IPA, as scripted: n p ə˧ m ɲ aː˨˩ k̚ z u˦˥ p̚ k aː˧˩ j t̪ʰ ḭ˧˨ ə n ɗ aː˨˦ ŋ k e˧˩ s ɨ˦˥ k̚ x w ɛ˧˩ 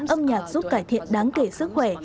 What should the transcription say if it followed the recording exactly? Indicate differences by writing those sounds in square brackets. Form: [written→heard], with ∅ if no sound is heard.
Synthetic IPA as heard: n [p→ʔ] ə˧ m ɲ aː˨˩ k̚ z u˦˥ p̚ k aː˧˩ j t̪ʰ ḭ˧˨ ə n ɗ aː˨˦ ŋ k e˧˩ s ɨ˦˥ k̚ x w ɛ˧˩